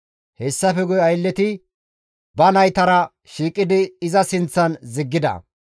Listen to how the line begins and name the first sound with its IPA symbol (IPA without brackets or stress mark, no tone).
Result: h